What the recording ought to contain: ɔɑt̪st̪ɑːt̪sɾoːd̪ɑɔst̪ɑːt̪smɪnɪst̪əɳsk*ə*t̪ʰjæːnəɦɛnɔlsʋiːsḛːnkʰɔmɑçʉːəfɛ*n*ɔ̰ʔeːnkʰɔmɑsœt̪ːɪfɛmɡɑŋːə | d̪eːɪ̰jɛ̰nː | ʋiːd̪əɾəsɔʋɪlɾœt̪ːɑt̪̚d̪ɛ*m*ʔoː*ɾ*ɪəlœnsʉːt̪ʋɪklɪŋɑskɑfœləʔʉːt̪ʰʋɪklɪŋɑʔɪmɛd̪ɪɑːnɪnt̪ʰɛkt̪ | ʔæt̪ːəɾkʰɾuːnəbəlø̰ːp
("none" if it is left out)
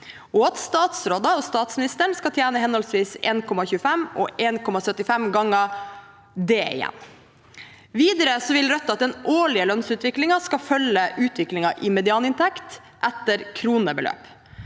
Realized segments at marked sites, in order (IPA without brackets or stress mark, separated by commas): ɑ, m, n, ɭ